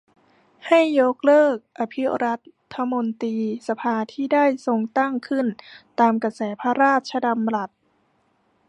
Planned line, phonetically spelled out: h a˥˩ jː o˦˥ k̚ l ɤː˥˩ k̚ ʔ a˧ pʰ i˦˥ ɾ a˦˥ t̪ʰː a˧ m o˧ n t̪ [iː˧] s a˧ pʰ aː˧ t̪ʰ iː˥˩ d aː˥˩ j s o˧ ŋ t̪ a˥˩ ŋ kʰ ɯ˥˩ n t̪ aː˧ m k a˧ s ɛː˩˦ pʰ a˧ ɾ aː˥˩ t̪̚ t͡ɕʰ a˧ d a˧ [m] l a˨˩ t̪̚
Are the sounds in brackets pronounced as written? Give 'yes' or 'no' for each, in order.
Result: yes, yes

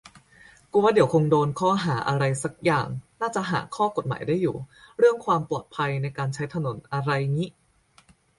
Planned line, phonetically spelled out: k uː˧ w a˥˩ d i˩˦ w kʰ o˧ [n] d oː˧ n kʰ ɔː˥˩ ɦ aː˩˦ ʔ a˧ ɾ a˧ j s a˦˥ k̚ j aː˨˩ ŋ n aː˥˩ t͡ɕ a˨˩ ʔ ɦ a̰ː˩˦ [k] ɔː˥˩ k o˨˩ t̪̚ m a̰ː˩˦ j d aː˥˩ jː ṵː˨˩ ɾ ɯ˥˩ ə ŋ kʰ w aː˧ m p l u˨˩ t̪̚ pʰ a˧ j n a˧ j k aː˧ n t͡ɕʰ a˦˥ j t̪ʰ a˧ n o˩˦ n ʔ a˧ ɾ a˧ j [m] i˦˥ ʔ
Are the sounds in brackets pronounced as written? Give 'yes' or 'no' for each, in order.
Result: no, no, no

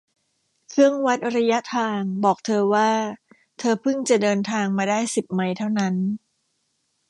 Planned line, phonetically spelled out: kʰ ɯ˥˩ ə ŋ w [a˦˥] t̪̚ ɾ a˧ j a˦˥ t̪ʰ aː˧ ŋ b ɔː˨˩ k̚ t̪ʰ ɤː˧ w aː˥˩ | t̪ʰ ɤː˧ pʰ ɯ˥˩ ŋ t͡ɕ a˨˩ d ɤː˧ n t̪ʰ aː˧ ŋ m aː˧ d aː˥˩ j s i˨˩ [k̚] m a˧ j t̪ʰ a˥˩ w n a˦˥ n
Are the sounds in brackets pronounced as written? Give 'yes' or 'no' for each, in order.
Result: yes, no

